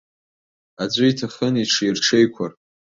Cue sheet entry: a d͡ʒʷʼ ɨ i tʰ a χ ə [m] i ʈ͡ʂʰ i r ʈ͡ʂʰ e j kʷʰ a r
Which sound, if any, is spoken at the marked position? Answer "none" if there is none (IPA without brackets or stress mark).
n